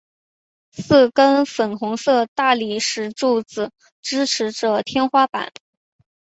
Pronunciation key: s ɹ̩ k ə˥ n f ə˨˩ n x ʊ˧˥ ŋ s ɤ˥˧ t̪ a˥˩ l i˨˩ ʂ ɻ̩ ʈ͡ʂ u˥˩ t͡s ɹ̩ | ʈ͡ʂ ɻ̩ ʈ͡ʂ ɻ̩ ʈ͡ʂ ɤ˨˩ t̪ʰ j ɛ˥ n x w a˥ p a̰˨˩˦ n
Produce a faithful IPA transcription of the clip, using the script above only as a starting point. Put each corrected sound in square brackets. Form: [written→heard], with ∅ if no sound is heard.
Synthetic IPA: s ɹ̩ k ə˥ n f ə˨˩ n x ʊ˧˥ ŋ s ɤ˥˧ t̪ a˥˩ l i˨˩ ʂ ɻ̩ ʈ͡ʂ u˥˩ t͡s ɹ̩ | ʈ͡ʂ ɻ̩ [ʈ͡ʂ→ʈ͡ʂʰ] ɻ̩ ʈ͡ʂ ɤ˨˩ t̪ʰ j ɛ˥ n x w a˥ p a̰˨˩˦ n